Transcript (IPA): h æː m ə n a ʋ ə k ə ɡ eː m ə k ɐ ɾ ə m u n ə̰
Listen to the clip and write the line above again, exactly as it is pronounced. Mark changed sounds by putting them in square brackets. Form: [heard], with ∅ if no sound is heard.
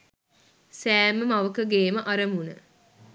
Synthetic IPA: [s] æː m ə [m] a ʋ ə k ə ɡ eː m ə [ʔ] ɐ ɾ ə m u n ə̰